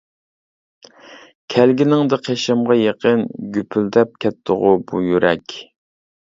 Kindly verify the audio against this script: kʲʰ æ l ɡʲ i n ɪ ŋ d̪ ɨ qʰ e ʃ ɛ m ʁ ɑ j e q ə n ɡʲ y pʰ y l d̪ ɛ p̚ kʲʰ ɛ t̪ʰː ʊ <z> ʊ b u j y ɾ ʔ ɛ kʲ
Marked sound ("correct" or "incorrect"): incorrect